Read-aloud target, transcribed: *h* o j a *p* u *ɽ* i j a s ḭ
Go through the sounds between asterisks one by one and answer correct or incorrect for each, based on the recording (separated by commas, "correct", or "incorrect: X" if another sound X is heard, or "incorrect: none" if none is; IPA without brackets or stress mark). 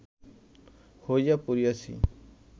correct, correct, incorrect: ɾ